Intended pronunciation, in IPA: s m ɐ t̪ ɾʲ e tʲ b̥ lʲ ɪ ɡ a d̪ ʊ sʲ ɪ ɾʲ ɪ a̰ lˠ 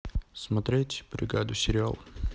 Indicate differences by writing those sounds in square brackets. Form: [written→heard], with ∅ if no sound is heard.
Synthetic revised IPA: s m ɐ t̪ ɾʲ e tʲ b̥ [lʲ→ɾʲ] ɪ ɡ a d̪ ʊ sʲ ɪ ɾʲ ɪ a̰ lˠ